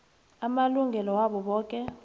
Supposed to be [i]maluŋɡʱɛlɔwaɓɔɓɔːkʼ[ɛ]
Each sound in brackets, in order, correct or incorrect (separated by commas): incorrect, correct